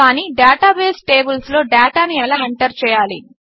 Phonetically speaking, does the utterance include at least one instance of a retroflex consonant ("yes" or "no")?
yes